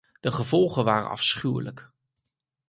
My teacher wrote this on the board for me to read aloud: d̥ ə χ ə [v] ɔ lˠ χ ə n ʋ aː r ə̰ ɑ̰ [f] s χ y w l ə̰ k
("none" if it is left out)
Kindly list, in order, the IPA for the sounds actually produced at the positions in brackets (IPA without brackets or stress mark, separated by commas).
v, f